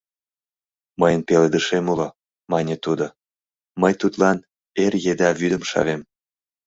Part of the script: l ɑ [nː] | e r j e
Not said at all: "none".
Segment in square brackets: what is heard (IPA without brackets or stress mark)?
n